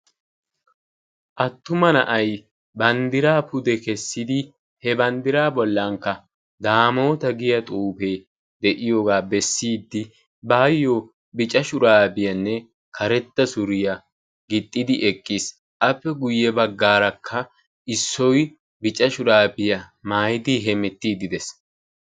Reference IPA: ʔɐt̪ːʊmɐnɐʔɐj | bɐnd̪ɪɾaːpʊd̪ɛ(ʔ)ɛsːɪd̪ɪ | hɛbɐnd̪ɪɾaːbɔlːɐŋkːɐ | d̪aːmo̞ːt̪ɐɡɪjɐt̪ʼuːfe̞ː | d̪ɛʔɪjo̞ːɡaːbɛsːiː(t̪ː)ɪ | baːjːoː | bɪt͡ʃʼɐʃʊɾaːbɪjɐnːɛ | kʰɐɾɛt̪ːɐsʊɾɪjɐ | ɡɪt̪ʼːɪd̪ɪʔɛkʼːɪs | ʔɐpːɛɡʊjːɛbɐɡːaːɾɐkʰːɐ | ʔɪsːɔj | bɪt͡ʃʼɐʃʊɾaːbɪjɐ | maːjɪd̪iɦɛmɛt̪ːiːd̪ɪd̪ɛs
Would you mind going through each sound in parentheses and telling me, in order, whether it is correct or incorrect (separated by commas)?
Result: incorrect, incorrect